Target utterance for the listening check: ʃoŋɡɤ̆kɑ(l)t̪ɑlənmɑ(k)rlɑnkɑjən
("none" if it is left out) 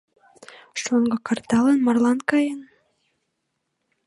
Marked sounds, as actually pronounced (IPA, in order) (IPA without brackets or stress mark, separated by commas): r, none